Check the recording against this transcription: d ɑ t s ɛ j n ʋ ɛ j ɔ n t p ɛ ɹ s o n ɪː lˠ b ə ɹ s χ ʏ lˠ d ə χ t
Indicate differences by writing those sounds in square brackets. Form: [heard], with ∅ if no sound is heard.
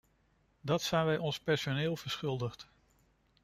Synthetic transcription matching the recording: d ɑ t s ɛ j n ʋ ɛ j ɔ n [s] p ɛ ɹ s o n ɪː lˠ [v] ə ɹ s χ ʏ lˠ d ə χ t

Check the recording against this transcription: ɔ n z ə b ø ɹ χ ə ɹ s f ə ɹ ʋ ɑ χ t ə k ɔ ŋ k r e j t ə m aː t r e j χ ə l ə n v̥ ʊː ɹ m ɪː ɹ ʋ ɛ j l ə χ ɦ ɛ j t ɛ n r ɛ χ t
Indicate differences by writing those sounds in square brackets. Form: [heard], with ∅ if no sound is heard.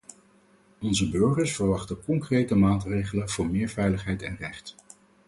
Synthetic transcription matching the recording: ɔ n z ə b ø ɹ χ ə ɹ s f ə ɹ ʋ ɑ χ t ə k ɔ ŋ k r e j t ə m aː t r e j χ ə l ə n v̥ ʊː ɹ m ɪː ɹ [v] ɛ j l ə χ ɦ ɛ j t ɛ n r ɛ χ t

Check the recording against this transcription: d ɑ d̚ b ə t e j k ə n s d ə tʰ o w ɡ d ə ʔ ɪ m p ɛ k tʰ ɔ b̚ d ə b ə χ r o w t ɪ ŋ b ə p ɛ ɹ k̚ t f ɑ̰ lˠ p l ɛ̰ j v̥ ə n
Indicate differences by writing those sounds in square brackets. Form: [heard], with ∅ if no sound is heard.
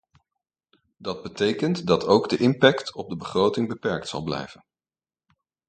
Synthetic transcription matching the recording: d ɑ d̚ b ə t e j k ə n [t] d [ɑ] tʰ o w ɡ d ə ʔ ɪ m p ɛ k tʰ ɔ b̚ d ə b ə χ r o w t ɪ ŋ b ə p ɛ ɹ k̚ t [s] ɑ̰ lˠ [b] l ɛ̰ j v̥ ə n

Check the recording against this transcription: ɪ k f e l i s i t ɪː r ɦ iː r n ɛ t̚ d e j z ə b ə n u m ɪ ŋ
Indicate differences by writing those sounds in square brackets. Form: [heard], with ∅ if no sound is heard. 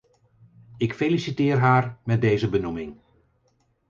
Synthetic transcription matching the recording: ɪ k f e l i s i t ɪː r ɦ [aː] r [m] ɛ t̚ d e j z ə b ə n u m ɪ ŋ

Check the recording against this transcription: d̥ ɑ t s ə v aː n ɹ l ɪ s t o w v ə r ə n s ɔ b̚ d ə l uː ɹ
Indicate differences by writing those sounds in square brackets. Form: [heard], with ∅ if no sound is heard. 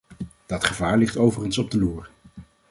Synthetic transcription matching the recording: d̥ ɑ t [χ] ə v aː [∅] ɹ l ɪ [χ] t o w v ə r ə n s ɔ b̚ d ə l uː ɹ

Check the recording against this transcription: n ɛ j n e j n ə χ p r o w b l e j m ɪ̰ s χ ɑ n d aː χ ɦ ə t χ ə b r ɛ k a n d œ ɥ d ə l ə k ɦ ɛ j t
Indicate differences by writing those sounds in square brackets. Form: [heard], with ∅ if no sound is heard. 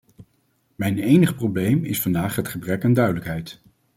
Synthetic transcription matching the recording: [m] ɛ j n e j n ə χ p r o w b l e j m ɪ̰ s [f] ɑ n d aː χ ɦ ə t χ ə b r ɛ k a n d œ ɥ d ə l ə k ɦ ɛ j t

